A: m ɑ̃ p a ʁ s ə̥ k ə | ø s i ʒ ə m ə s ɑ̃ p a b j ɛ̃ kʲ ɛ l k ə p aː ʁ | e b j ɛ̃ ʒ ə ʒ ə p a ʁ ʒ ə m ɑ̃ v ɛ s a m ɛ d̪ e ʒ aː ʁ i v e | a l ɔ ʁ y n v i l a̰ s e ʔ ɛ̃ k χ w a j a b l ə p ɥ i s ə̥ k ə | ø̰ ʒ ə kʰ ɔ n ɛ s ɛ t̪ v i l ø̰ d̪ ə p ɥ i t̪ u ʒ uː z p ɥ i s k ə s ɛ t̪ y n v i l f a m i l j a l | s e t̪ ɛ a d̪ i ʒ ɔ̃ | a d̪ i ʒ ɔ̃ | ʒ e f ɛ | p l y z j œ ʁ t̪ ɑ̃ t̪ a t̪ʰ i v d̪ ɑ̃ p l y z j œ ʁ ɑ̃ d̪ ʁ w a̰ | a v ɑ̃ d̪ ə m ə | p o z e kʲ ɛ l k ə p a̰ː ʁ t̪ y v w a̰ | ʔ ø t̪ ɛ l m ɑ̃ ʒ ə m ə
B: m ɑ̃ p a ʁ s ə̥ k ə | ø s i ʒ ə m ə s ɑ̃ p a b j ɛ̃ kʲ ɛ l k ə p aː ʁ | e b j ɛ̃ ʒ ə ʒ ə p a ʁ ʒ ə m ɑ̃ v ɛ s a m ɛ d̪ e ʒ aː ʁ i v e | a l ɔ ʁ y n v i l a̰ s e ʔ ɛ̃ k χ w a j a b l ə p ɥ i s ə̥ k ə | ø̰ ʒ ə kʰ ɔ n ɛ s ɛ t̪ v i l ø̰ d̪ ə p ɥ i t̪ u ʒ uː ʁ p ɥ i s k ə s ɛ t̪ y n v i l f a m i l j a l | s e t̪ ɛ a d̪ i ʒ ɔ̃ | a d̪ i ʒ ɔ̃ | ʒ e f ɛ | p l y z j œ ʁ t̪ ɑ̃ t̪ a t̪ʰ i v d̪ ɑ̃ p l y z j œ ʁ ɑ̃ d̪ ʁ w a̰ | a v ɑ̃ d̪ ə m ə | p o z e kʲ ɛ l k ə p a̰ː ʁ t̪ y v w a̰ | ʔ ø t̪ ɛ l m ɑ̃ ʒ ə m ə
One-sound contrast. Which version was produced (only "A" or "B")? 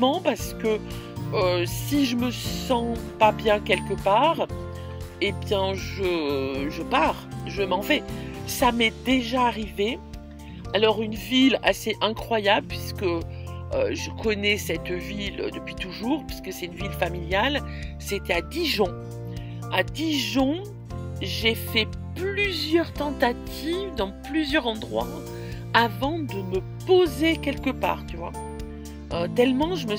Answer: B